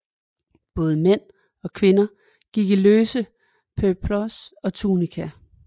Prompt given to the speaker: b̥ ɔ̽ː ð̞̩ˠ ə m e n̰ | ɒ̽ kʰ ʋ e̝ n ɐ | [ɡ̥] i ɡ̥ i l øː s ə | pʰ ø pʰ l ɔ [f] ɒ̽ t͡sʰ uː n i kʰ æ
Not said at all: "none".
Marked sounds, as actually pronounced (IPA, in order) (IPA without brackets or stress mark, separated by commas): ɡ̥, s